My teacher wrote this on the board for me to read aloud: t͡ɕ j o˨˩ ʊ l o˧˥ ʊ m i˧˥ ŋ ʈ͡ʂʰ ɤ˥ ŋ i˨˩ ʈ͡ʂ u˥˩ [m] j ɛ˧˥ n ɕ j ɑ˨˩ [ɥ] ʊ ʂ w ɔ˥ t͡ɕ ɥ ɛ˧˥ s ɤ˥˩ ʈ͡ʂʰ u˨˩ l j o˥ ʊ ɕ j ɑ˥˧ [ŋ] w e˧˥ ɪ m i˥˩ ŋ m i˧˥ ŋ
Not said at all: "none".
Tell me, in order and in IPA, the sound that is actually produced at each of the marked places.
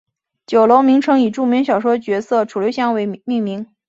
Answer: m, none, ŋ

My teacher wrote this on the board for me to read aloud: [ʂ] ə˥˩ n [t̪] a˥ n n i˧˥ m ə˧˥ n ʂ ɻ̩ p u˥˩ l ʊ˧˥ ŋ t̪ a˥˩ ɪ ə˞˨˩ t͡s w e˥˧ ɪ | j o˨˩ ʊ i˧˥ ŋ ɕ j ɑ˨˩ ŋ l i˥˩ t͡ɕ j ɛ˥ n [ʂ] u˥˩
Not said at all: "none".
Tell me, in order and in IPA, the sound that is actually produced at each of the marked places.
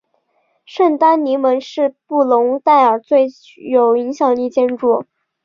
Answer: ʂ, t̪, ʈ͡ʂ

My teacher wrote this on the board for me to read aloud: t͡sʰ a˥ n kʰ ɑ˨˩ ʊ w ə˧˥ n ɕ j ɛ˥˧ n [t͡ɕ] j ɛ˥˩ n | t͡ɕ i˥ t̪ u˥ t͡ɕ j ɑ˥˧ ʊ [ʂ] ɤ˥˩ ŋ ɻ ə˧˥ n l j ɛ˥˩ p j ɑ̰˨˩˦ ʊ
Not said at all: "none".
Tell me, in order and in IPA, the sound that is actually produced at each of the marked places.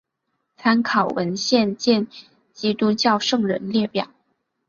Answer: t͡ɕ, ʂ

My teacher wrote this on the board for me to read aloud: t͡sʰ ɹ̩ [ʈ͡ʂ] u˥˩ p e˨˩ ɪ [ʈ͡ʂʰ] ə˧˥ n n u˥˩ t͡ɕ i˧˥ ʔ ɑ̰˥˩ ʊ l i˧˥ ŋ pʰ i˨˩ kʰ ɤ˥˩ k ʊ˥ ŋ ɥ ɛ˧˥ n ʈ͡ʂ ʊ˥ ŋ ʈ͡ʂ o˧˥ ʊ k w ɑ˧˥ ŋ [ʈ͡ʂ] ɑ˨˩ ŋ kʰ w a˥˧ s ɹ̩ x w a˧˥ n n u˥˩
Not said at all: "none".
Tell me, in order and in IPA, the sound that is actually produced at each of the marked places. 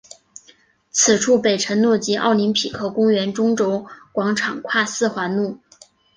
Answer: ʈ͡ʂʰ, ʈ͡ʂʰ, ʈ͡ʂʰ

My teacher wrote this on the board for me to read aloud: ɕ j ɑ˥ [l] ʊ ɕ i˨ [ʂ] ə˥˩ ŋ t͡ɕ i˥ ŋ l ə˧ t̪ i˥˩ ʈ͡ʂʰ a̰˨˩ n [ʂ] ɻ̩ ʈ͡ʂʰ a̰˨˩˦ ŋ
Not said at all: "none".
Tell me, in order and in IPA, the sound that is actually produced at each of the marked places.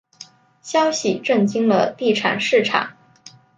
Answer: none, ʈ͡ʂ, ʂ

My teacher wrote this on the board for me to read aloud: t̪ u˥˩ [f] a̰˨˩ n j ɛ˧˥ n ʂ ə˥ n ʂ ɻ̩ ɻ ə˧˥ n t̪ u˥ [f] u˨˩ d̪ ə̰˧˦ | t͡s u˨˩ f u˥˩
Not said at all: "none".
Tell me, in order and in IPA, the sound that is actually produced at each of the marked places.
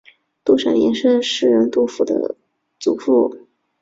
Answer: ʂ, f

